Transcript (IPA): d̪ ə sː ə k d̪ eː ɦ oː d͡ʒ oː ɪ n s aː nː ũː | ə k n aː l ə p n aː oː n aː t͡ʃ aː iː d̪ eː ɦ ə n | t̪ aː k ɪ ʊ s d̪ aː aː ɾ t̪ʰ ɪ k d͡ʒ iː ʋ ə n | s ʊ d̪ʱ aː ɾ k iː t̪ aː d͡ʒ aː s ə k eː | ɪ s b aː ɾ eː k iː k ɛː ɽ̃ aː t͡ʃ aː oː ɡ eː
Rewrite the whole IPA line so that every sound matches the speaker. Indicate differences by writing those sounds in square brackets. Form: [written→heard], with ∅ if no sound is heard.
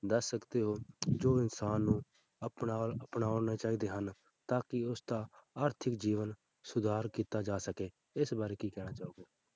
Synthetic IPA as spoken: d̪ ə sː ə k d̪ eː ɦ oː d͡ʒ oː ɪ n s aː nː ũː | ə [k→p] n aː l ə p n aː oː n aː t͡ʃ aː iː d̪ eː ɦ ə n | t̪ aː k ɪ ʊ s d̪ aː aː ɾ t̪ʰ ɪ k d͡ʒ iː ʋ ə n | s ʊ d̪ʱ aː ɾ k iː t̪ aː d͡ʒ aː s ə k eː | ɪ s b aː ɾ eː k iː k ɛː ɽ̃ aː t͡ʃ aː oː ɡ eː